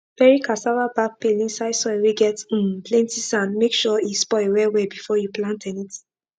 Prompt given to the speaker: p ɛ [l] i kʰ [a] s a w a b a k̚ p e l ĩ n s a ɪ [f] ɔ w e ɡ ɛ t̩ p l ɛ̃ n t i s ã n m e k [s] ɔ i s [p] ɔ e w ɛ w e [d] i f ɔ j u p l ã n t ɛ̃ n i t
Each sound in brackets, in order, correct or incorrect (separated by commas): incorrect, correct, incorrect, incorrect, correct, incorrect